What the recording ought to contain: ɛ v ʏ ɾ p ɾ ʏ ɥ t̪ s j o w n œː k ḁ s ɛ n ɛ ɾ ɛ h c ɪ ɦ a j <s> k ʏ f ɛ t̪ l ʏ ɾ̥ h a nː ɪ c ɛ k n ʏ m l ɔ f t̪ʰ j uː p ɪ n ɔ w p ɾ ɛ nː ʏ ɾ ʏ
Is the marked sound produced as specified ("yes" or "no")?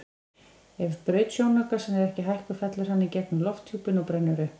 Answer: no